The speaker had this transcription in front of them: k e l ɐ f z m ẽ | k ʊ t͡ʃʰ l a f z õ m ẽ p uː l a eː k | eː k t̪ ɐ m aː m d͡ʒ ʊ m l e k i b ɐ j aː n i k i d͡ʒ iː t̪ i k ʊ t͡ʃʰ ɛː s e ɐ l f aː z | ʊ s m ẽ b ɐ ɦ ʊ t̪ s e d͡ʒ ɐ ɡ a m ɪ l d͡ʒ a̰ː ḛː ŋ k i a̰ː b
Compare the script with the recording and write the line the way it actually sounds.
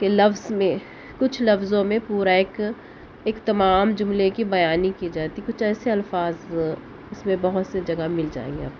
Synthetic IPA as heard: k e l ɐ f z m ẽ | k ʊ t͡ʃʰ l ɐ f z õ m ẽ p uː ɾ a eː k | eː k t̪ ɐ m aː m d͡ʒ ʊ m l e k i b ɐ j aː n i k i d͡ʒ aː t̪ i k ʊ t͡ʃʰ ɛː s e ɐ l f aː z | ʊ s m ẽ b ɐ ɦ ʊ t̪ s e d͡ʒ ɐ ɡ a m ɪ l d͡ʒ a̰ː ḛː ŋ ɡ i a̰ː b